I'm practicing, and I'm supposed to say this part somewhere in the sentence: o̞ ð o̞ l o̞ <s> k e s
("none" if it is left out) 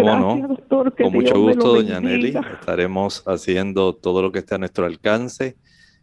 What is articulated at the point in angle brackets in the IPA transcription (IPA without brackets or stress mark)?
none